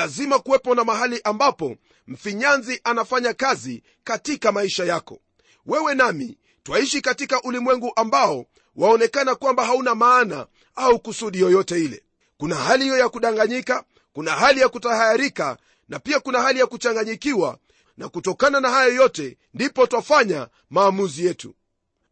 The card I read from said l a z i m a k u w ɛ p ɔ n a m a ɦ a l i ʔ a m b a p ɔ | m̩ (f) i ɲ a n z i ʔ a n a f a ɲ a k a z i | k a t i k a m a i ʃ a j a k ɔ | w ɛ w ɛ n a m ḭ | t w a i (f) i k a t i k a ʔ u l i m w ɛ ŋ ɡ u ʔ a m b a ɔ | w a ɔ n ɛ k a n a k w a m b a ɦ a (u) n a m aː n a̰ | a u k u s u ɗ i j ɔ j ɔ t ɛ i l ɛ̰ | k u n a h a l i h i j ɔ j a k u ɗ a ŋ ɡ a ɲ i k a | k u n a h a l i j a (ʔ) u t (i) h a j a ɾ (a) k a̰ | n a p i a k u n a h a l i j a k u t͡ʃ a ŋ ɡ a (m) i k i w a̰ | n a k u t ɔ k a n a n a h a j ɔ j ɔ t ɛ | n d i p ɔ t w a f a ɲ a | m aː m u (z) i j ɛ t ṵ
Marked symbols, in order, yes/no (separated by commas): yes, no, yes, no, no, no, no, yes